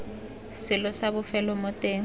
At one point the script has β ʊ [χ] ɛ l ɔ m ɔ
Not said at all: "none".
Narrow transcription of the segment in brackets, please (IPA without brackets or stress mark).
f